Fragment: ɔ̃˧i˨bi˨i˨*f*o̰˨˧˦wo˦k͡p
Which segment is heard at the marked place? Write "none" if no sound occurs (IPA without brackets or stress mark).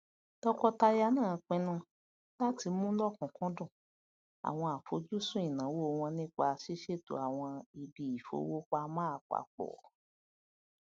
f